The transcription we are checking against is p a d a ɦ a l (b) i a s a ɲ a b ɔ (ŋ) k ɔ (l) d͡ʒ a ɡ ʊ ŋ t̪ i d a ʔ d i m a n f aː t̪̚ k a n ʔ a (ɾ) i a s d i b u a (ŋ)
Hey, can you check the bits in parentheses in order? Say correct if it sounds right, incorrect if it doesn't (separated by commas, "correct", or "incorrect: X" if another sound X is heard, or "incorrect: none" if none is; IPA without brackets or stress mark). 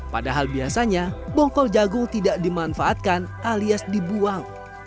correct, correct, correct, incorrect: l, correct